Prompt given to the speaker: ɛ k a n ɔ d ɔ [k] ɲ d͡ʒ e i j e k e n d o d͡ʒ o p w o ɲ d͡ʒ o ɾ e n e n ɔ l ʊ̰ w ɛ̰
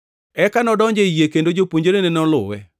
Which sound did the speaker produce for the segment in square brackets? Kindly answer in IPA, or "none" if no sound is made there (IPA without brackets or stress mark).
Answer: none